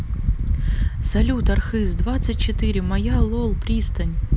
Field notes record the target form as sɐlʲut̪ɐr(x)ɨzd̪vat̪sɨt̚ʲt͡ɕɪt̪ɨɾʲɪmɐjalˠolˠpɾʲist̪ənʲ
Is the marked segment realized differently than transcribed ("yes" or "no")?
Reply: no